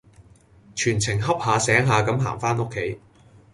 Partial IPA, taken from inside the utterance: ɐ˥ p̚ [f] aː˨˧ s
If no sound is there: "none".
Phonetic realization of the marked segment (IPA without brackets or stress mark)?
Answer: h